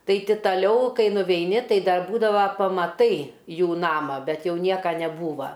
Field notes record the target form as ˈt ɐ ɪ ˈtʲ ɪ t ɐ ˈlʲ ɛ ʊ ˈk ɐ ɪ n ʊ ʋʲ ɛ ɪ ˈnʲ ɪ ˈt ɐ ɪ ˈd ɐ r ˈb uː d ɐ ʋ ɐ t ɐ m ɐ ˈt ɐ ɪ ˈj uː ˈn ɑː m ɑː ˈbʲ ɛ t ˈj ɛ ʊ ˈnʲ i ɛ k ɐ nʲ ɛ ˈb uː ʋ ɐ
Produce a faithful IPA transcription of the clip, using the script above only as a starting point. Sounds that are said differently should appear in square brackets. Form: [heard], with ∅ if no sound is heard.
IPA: ˈt ɐ ɪ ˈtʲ ɪ t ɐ ˈlʲ ɛ ʊ ˈk ɐ ɪ n ʊ ʋʲ ɛ ɪ ˈnʲ ɪ ˈt ɐ ɪ ˈd ɐ r ˈb uː d ɐ ʋ ɐ [p] ɐ m ɐ ˈt ɐ ɪ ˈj uː ˈn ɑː m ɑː ˈbʲ ɛ t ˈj ɛ ʊ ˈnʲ i ɛ k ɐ nʲ ɛ ˈb uː ʋ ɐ

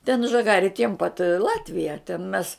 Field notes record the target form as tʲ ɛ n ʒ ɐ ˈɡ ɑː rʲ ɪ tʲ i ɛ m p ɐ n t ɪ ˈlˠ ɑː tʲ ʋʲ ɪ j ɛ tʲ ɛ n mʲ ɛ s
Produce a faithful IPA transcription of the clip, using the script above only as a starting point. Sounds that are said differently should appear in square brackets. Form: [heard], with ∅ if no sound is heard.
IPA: tʲ ɛ n ʒ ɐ ˈɡ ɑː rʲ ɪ tʲ i ɛ m p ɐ [∅] t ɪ ˈlˠ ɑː tʲ ʋʲ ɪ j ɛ tʲ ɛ n mʲ ɛ s

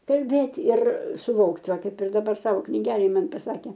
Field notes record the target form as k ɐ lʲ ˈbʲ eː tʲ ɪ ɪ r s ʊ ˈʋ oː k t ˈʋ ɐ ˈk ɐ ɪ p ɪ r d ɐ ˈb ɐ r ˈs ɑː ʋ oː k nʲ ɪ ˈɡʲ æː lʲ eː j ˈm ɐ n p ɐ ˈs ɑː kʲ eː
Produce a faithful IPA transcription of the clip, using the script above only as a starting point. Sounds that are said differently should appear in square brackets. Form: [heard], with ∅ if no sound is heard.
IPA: k ɐ lʲ ˈbʲ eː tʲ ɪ ɪ r s ʊ ˈʋ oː k t ˈʋ ɐ ˈk ɐ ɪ p ɪ r d ɐ ˈb ɐ r ˈs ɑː ʋ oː k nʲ ɪ ˈɡʲ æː lʲ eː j ˈm ɐ n p ɐ ˈs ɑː kʲ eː

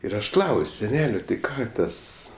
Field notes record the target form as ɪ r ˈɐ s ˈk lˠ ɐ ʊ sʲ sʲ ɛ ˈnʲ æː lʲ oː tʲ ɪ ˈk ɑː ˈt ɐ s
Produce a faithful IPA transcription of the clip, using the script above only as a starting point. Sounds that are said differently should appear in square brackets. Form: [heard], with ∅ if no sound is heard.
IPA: ɪ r ˈɐ [ʃ] ˈk lˠ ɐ ʊ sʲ sʲ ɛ ˈnʲ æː lʲ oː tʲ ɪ ˈk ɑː ˈt ɐ s

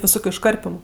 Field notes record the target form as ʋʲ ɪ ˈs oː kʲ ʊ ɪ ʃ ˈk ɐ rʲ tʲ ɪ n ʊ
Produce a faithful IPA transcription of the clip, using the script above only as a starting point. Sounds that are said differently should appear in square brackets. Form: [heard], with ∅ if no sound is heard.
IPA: ʋʲ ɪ ˈs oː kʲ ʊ ɪ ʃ ˈk ɐ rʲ [pʲ] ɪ [m] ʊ

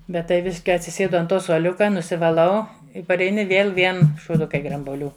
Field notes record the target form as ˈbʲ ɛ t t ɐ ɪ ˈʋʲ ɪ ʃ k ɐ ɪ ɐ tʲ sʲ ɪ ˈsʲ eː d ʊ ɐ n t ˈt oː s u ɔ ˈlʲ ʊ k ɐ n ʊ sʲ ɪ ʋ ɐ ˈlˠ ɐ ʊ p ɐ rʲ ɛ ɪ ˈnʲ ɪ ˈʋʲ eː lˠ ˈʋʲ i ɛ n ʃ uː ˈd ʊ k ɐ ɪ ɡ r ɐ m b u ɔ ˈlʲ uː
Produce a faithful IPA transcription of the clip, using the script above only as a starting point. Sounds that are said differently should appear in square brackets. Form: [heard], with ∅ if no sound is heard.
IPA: ˈbʲ ɛ t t ɐ ɪ ˈʋʲ ɪ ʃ k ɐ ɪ ɐ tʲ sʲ ɪ ˈsʲ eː d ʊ ɐ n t ˈt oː s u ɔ ˈlʲ ʊ k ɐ n ʊ sʲ ɪ ʋ ɐ ˈlˠ ɐ ʊ p ɐ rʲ ɛ ɪ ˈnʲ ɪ ˈʋʲ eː lˠ ˈʋʲ i ɛ n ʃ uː ˈd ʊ k ɐ ɪ ɡ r ɐ m b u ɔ ˈlʲ uː

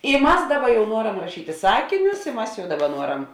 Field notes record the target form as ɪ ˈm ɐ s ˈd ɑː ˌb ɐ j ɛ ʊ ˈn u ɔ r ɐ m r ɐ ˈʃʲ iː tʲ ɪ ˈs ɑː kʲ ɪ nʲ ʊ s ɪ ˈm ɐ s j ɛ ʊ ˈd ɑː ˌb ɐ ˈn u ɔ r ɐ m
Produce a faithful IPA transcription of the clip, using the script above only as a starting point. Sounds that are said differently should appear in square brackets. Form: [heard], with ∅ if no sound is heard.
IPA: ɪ ˈm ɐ s ˈd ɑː ˌb ɐ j ɛ ʊ ˈn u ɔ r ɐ m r ɐ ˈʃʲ iː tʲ ɪ ˈs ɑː kʲ ɪ nʲ ʊ s ɪ ˈm ɐ s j ɛ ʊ ˈd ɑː ˌb ɐ ˈn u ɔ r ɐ m

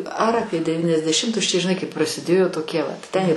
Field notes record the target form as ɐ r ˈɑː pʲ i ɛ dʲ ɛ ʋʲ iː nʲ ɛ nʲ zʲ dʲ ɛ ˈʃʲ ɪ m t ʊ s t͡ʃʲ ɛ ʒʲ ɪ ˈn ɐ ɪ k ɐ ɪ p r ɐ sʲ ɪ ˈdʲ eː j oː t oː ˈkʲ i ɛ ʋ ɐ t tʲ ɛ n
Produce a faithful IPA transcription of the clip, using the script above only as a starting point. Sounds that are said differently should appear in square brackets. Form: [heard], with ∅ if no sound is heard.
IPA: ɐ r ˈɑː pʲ i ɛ dʲ ɛ ʋʲ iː nʲ ɛ [∅] zʲ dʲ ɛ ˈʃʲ ɪ m t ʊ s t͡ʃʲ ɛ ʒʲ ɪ ˈn ɐ ɪ k ɐ ɪ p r ɐ sʲ ɪ ˈdʲ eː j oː t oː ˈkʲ i ɛ ʋ ɐ t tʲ ɛ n

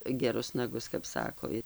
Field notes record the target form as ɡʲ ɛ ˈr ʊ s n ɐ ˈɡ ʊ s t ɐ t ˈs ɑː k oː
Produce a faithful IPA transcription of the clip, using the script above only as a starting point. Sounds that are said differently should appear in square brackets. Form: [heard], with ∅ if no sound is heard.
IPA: ɡʲ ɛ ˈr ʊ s n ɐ ˈɡ ʊ s [k] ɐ [p] ˈs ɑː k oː

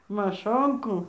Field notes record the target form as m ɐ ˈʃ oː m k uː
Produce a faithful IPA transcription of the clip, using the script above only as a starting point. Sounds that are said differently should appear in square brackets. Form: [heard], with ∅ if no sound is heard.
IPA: m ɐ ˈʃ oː [ŋ] k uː

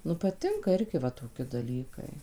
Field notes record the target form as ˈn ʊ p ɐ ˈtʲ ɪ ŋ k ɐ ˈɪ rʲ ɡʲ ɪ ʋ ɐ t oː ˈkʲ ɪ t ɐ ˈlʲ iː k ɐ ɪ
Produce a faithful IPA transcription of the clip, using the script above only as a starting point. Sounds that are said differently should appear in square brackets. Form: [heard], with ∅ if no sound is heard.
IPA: ˈn ʊ p ɐ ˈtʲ ɪ ŋ k ɐ ˈɪ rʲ ɡʲ ɪ ʋ ɐ t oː ˈkʲ ɪ [d] ɐ ˈlʲ iː k ɐ ɪ

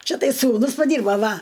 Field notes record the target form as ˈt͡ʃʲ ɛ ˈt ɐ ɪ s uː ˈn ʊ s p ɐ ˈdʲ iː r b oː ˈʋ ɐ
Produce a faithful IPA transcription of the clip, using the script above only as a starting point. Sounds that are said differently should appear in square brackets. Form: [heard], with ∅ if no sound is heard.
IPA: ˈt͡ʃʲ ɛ ˈt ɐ ɪ s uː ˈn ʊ s p ɐ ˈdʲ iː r b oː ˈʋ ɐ

